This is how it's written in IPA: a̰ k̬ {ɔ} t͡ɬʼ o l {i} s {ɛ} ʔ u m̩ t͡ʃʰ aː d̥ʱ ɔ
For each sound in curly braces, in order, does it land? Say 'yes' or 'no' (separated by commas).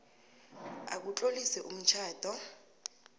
no, yes, yes